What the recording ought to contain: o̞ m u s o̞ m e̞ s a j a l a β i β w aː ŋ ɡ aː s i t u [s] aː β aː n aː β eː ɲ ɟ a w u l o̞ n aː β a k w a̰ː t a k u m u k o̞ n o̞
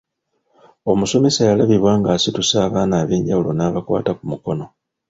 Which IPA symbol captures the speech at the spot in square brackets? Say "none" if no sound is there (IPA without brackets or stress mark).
s